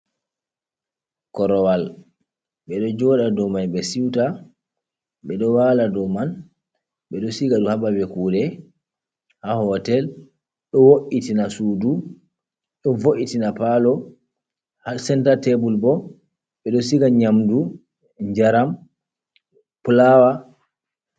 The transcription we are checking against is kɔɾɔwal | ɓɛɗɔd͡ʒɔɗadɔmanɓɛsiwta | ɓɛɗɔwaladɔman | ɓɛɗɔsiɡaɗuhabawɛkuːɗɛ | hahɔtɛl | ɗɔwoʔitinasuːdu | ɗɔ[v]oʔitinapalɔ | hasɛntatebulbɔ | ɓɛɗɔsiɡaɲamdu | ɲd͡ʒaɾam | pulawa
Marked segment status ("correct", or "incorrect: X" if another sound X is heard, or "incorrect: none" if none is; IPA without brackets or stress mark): correct